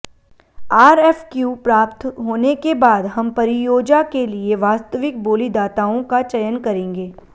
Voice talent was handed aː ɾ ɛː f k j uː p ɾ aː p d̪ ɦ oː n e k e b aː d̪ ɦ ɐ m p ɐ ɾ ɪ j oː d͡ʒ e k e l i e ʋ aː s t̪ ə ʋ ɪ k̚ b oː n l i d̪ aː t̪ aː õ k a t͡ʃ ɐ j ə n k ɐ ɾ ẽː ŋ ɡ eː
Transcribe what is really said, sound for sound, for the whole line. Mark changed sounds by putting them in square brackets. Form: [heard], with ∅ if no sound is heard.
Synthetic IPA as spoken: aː ɾ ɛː f k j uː p ɾ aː p [t̪] ɦ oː n e k e b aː d̪ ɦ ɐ m p ɐ ɾ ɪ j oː d͡ʒ [a] k e l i e ʋ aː s t̪ ə ʋ ɪ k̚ b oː [∅] l i d̪ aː t̪ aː õ k a t͡ʃ ɐ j ə n k ɐ ɾ ẽː ŋ ɡ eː